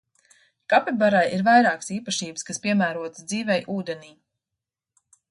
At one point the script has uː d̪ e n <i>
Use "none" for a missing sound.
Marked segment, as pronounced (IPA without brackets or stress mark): iː